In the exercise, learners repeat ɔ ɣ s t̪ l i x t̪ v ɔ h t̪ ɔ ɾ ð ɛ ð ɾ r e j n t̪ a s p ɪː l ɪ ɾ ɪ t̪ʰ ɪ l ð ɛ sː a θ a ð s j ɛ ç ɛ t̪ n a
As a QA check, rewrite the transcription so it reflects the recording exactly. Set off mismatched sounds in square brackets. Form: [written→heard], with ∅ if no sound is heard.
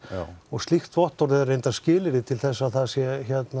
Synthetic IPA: ɔ ɣ s t̪ l i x t̪ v ɔ h t̪ ɔ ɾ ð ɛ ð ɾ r e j n t̪ a s [p→c] ɪː l ɪ ɾ ɪ t̪ʰ ɪ l [ð→θ] ɛ sː a θ a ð s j ɛ ç ɛ t̪ n a